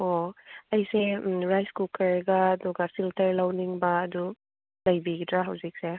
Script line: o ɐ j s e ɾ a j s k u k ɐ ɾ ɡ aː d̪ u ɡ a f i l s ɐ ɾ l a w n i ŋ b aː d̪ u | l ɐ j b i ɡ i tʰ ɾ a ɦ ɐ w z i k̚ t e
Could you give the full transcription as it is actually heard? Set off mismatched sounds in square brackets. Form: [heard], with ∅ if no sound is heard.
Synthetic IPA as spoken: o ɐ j s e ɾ a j s k u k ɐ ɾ ɡ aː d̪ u ɡ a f i l [t] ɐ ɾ l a w n i ŋ b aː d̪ u | l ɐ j b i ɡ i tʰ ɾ a ɦ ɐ w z i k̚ [s] e